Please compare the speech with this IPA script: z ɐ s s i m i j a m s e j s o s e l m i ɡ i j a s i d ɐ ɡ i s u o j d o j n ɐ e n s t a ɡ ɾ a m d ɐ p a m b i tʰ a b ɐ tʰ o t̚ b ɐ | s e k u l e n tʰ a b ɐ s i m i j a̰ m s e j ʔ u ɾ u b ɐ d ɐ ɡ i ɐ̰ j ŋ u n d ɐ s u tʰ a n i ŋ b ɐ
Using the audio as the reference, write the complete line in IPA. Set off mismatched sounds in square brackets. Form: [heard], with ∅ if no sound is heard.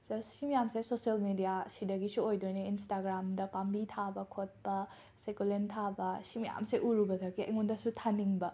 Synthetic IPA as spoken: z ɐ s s i m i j a m s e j s o s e l m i [d] i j a s i d ɐ ɡ i s u o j d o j n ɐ [i] n s t a ɡ ɾ a m d ɐ p a m b i tʰ a b ɐ [kʰ] o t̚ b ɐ | s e k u l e n tʰ a b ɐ s i m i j a̰ m s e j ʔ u ɾ u b ɐ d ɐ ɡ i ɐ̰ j ŋ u n d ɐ s u tʰ a n i ŋ b ɐ